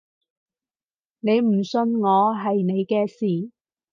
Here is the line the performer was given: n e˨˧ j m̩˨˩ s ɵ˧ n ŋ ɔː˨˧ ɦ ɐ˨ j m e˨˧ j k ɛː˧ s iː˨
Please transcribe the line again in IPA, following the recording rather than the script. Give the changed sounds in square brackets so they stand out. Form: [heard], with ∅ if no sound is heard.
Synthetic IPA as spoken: n e˨˧ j m̩˨˩ s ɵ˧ n ŋ ɔː˨˧ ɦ ɐ˨ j [n] e˨˧ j k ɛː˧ s iː˨